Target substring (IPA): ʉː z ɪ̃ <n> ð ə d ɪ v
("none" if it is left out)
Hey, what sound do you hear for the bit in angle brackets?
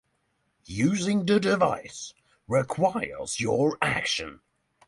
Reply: ŋ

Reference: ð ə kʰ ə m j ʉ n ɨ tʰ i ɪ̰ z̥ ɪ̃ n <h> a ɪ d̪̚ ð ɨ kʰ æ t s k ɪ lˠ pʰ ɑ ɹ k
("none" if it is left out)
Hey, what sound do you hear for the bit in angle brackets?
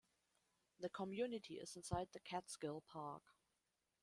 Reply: s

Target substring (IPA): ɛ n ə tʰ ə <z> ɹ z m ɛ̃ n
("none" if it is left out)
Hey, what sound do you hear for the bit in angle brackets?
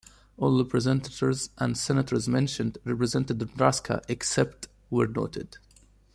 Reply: none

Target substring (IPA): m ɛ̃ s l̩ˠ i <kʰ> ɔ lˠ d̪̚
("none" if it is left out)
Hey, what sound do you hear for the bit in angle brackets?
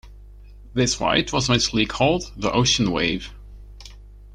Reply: kʰ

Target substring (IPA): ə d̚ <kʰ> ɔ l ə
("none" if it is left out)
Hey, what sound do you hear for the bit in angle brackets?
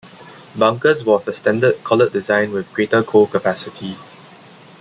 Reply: kʰ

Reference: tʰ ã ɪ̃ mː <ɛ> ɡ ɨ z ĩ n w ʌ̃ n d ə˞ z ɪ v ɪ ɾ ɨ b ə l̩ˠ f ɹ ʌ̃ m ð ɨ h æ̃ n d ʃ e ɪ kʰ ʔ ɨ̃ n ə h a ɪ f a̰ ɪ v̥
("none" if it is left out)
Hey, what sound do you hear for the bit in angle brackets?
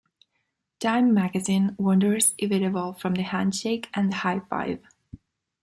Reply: æ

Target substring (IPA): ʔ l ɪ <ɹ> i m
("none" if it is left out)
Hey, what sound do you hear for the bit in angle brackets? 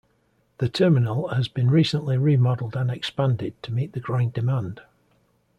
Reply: ɹ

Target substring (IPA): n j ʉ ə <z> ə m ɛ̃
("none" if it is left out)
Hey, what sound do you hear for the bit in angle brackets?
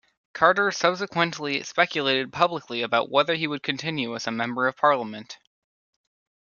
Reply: z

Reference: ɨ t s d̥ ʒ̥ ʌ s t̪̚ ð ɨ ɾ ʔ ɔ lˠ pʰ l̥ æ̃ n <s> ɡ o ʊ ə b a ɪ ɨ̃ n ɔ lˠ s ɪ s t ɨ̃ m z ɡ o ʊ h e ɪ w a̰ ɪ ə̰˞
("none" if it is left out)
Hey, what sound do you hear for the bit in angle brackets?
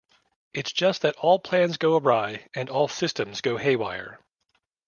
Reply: z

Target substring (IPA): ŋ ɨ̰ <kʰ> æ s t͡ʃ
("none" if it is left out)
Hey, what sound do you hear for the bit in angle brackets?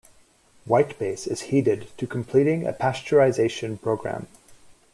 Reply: pʰ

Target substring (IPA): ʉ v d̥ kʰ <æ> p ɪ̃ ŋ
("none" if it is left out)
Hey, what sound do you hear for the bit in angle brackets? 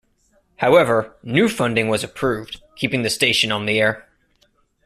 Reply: i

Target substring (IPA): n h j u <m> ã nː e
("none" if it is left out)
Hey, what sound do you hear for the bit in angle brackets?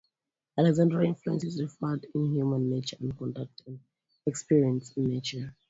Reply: m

